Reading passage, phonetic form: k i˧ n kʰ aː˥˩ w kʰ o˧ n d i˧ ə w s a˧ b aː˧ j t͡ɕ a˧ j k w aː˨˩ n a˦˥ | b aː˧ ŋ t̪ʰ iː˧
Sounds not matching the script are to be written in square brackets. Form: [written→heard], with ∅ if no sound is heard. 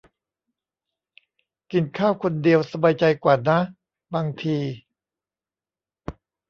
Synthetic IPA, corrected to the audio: k [i˧→i˨˩] n kʰ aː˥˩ w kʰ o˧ n d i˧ ə w s a˧ b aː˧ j t͡ɕ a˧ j k w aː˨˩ n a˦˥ | b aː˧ ŋ t̪ʰ iː˧

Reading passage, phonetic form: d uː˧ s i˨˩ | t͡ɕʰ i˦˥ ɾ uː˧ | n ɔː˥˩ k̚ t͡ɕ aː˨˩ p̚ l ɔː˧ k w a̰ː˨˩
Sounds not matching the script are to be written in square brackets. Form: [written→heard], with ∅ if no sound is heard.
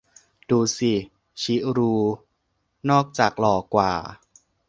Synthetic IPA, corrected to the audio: d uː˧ s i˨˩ | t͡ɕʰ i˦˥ ɾ uː˧ | n ɔː˥˩ k̚ t͡ɕ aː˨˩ [p̚→k̚] l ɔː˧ k w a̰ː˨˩

